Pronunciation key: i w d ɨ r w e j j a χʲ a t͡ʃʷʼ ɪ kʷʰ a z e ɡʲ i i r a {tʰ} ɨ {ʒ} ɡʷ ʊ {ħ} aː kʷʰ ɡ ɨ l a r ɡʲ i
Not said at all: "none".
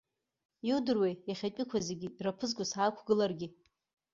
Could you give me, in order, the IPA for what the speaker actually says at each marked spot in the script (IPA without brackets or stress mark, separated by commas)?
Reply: pʰ, z, s